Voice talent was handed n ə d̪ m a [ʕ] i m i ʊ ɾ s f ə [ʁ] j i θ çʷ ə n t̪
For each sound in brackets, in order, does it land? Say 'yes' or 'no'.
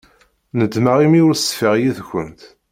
no, yes

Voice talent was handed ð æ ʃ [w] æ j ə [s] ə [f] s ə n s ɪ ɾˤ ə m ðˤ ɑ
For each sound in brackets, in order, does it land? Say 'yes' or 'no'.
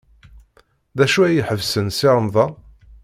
no, no, no

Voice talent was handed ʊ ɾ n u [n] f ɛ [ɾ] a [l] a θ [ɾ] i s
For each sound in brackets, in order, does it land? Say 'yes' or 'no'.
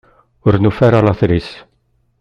no, yes, yes, yes

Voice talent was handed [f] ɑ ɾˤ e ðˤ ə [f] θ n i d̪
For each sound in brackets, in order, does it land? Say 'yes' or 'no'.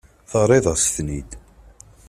no, no

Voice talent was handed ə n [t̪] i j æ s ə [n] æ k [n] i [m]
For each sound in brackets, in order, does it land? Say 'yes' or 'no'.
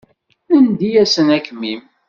no, yes, no, yes

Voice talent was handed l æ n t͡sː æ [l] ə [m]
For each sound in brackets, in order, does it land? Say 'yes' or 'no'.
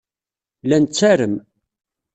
no, yes

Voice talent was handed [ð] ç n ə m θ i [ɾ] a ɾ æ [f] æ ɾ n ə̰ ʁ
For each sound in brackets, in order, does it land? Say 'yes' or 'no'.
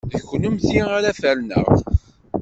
yes, no, yes

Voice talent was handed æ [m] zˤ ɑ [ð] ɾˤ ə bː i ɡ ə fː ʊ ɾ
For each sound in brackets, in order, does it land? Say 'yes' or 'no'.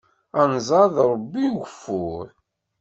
no, yes

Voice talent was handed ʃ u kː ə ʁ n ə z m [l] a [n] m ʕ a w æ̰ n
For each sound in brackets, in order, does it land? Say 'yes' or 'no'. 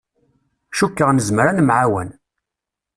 no, yes

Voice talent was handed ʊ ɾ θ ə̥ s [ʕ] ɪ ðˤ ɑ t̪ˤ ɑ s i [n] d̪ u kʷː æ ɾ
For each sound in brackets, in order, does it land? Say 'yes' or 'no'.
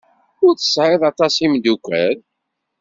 yes, no

